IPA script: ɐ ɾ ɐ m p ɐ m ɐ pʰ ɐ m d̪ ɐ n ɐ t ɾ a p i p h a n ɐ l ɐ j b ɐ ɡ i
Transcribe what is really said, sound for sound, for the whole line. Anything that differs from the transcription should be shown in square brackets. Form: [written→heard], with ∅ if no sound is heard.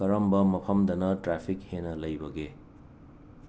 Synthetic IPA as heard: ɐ ɾ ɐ m [p→b] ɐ m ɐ pʰ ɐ m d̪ ɐ n ɐ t ɾ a [p→pʰ] i [p→k] h [a→e] n ɐ l ɐ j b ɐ ɡ [i→e]